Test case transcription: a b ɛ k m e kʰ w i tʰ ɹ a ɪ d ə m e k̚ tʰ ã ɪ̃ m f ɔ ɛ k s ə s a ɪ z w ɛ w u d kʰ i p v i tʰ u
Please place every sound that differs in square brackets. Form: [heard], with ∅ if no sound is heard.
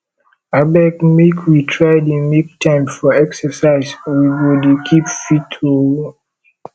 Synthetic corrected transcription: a b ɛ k m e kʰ w i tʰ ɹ a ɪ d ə m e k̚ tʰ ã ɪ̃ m f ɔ ɛ k s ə s a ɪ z w [i] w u d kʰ i p [f] i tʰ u